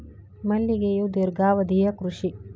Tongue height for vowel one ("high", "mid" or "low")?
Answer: low